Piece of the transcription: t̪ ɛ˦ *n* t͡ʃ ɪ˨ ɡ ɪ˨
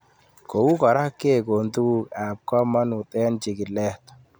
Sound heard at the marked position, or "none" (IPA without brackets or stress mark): n